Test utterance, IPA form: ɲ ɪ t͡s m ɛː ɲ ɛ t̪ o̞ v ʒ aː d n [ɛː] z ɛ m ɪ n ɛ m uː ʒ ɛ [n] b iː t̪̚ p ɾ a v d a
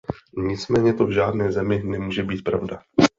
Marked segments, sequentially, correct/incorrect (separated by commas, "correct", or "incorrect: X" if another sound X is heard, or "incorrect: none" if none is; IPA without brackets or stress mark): correct, incorrect: none